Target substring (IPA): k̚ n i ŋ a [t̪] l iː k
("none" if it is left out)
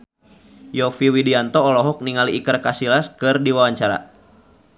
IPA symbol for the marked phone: none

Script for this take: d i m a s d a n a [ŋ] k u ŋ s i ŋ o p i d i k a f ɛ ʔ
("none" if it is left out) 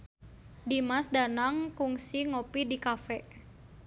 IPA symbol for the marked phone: ŋ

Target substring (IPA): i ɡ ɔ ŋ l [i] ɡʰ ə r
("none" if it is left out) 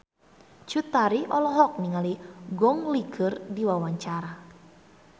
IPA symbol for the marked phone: i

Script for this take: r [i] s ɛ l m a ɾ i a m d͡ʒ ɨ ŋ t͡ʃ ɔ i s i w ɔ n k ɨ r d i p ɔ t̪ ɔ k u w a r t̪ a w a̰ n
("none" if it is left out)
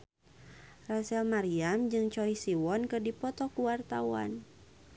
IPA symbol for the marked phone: a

